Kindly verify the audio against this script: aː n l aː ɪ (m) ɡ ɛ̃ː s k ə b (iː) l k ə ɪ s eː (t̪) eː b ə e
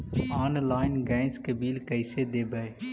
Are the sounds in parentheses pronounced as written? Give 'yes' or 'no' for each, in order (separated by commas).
no, yes, no